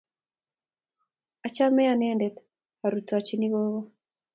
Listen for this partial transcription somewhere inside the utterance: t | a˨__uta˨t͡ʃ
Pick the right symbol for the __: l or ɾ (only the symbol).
ɾ